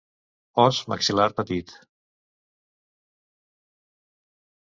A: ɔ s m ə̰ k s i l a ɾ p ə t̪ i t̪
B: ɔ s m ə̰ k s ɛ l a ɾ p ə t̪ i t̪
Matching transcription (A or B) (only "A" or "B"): A